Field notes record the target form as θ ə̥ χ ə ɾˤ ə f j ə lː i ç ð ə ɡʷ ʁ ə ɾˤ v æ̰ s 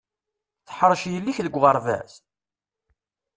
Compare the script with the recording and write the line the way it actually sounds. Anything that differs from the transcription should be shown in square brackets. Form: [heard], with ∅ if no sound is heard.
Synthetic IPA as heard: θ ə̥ [ħ] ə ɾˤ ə [ʃ] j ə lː i ç ð ə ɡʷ ʁ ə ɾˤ v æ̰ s